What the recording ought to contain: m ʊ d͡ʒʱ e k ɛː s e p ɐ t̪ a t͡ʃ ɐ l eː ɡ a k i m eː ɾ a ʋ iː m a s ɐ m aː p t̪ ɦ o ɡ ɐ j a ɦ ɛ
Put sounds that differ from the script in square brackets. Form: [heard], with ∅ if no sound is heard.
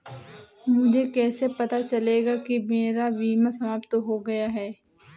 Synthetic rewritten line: m ʊ d͡ʒʱ e k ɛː s e p ɐ t̪ a t͡ʃ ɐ l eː ɡ a k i m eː ɾ a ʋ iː m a s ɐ m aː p t̪ ɦ o ɡ ɐ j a ɦ [ɛː]